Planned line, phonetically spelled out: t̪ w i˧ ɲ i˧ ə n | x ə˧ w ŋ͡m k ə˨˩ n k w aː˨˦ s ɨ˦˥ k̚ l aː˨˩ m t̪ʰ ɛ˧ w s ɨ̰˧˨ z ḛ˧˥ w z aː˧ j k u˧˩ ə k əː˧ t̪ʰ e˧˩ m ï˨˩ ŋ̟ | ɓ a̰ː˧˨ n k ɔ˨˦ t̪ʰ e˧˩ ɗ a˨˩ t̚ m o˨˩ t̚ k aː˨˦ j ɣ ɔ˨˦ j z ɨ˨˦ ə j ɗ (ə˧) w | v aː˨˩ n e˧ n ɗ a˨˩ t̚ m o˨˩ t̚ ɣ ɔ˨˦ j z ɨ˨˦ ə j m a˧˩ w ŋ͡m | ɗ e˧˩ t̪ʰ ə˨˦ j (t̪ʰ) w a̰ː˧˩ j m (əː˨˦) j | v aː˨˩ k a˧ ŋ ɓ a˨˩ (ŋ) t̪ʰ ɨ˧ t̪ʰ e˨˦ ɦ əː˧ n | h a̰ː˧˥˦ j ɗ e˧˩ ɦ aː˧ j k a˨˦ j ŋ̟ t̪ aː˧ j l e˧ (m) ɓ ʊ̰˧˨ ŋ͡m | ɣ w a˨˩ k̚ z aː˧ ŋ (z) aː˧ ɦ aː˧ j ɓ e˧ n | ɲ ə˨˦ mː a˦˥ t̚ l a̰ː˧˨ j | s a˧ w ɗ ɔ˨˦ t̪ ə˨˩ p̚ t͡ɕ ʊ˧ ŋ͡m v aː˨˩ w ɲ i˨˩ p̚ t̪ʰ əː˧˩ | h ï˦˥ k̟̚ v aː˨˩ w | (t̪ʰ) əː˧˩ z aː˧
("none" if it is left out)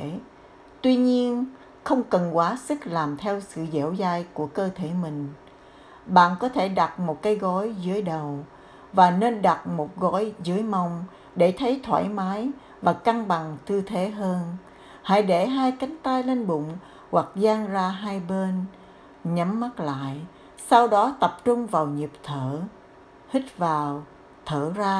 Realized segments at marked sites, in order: ə˨˩, t̪ʰ, aː˨˦, ŋ, n, z, t̪ʰ

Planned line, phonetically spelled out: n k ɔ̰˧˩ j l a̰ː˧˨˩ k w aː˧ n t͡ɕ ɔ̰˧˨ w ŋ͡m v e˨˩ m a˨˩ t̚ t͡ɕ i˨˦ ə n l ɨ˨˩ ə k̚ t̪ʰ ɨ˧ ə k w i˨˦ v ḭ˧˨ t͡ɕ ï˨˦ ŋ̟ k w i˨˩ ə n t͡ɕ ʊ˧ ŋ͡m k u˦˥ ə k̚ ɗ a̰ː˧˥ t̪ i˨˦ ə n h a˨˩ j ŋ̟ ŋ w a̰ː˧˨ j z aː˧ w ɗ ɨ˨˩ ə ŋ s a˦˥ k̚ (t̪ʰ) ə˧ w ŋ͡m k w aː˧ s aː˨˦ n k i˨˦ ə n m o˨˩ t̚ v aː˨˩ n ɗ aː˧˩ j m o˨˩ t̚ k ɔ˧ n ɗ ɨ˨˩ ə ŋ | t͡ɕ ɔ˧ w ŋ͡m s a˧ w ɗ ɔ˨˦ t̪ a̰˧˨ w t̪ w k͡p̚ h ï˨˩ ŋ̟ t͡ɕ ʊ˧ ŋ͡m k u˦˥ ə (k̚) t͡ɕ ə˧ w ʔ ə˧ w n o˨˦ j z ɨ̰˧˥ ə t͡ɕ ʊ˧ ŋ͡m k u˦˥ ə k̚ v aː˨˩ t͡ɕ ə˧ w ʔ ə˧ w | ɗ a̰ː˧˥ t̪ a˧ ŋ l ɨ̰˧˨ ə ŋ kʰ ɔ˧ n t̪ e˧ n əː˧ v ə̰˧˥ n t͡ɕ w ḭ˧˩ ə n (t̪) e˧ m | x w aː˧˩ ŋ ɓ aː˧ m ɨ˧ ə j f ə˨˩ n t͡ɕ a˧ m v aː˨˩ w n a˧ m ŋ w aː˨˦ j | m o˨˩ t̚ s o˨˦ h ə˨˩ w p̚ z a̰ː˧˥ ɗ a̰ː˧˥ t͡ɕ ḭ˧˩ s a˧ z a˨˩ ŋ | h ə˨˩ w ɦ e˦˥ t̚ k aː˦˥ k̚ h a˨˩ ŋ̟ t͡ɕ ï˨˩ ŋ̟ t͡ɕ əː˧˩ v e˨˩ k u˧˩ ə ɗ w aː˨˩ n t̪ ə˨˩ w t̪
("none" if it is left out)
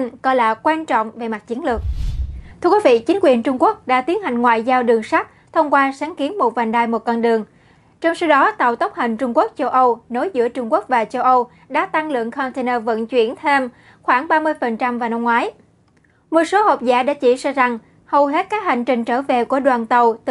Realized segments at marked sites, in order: t̪ʰ, k̚, t̪ʰ

